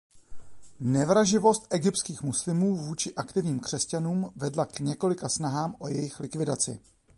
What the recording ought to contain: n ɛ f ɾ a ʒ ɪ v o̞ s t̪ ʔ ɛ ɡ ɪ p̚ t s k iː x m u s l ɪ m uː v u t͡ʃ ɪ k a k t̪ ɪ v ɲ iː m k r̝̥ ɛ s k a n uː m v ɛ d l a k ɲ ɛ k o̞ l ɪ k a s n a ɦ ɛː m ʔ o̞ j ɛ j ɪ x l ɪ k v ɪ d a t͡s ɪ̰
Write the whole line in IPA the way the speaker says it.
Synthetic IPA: n ɛ v ɾ a ʒ ɪ v o̞ s t̪ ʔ ɛ ɡ ɪ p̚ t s k iː x m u s l ɪ m uː v uː t͡ʃ ɪ ʔ a k t̪ ɪ v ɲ iː m k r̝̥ ɛ s c a n uː m v ɛ d l a k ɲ ɛ k o̞ l ɪ k a s n a ɦ aː m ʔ o̞ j ɛ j ɪ x l ɪ k v ɪ d a t͡s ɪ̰